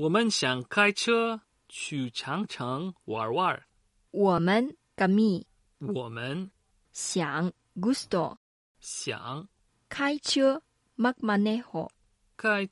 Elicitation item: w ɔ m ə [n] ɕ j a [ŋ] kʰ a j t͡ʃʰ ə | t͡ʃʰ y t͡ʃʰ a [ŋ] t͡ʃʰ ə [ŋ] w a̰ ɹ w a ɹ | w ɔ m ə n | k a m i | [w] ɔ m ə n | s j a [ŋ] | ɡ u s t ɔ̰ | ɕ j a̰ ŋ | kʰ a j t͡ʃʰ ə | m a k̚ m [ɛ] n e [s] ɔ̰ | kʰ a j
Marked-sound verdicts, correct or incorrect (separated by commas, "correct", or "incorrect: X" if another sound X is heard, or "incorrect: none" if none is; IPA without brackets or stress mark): correct, correct, correct, correct, correct, correct, incorrect: a, incorrect: h